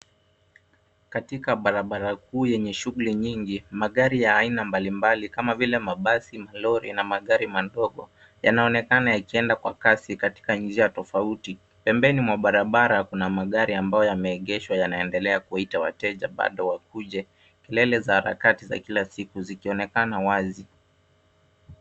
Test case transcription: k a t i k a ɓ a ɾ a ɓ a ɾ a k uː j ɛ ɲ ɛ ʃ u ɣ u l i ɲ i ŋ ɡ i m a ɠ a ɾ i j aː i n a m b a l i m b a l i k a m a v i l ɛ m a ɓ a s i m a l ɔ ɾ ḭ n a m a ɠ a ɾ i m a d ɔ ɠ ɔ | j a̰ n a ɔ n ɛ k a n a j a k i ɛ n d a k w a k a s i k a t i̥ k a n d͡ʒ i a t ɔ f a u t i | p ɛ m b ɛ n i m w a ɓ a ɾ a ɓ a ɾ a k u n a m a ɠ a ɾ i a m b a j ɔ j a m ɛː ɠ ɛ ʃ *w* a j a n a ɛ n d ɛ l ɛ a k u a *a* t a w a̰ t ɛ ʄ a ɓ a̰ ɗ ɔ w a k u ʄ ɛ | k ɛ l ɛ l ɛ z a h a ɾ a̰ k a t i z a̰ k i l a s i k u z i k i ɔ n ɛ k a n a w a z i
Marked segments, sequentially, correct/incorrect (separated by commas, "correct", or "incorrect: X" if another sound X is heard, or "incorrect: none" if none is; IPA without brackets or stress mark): correct, incorrect: i